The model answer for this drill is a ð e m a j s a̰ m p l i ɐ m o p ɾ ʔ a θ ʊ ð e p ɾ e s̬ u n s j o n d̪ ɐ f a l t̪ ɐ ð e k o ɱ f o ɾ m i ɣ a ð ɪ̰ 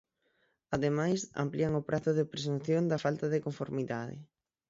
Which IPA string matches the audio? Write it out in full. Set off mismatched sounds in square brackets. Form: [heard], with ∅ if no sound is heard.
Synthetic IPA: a ð e m a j s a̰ m p l i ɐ [ŋ] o p ɾ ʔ a θ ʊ ð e p ɾ e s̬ u n [θ] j o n d̪ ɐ f a l t̪ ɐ ð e k o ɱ f o ɾ m i [ð] a ð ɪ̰